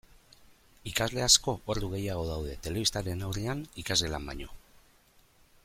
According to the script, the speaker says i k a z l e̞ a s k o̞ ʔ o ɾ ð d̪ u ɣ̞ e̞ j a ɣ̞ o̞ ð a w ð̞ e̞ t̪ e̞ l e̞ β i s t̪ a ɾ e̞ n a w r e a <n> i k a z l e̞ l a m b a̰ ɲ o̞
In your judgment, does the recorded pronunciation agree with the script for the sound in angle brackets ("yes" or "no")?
yes